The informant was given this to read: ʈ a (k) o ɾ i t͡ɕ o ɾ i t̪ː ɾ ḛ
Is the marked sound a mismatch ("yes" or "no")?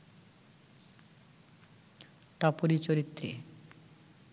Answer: yes